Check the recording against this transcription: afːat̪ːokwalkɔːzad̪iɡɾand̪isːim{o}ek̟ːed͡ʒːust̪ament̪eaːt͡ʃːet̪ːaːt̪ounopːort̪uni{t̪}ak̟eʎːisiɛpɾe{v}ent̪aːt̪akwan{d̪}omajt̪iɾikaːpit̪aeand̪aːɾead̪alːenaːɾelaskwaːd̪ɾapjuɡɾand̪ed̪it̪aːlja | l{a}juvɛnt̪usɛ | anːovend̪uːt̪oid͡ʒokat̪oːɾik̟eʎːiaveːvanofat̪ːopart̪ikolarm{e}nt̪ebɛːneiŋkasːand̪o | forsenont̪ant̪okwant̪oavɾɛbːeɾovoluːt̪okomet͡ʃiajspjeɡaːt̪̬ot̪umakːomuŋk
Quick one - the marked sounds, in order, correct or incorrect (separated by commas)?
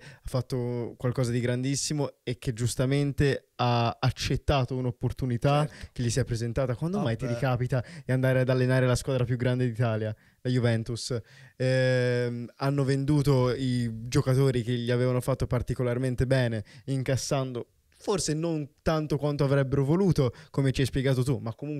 correct, correct, incorrect, correct, correct, correct